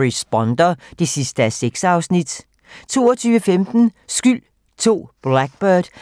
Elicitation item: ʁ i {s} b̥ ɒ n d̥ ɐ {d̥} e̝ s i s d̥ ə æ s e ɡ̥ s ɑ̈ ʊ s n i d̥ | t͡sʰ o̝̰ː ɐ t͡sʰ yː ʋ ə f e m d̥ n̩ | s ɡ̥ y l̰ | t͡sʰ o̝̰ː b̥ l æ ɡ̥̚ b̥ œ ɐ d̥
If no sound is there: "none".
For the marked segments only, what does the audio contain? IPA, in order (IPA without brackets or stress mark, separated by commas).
s, d̥